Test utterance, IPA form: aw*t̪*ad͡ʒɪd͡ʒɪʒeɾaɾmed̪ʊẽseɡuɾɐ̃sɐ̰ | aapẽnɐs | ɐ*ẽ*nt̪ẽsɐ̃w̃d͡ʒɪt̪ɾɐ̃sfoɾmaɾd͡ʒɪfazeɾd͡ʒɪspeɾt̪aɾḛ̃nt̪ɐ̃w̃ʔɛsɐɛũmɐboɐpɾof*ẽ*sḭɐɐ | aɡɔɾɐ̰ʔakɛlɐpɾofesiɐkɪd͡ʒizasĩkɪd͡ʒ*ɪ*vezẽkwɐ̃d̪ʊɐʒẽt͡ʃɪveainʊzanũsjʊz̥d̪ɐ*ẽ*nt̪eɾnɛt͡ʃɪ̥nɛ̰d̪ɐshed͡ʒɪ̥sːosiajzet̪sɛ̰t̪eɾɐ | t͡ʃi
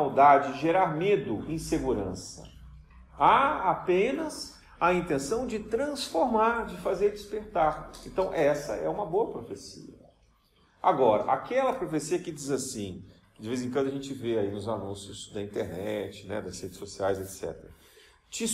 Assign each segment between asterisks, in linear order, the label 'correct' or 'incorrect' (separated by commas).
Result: incorrect, incorrect, incorrect, correct, incorrect